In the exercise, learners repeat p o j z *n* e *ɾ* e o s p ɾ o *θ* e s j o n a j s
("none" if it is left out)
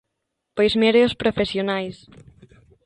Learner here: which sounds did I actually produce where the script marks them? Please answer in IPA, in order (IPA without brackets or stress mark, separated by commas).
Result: m, ɾ, f